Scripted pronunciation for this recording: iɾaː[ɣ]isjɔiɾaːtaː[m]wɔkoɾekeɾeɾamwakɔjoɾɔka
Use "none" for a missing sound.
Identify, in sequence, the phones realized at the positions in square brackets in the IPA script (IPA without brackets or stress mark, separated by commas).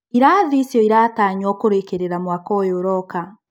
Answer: ð, ɲ